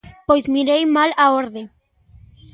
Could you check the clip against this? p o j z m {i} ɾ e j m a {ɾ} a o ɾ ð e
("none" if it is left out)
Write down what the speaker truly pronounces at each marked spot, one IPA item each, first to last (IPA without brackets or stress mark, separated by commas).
i, l